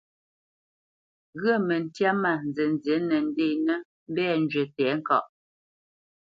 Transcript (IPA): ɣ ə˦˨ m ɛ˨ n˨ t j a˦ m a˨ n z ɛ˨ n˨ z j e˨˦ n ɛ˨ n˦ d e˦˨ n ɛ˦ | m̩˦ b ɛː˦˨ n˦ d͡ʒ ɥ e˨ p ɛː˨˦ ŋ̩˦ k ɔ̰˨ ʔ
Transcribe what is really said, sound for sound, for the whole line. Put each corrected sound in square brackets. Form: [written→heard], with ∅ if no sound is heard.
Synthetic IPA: ɣ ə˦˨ m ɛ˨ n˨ t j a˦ m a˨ n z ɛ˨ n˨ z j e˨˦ n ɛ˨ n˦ d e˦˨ n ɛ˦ | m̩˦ b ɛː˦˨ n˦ d͡ʒ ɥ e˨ [p→t] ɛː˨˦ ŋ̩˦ k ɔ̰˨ ʔ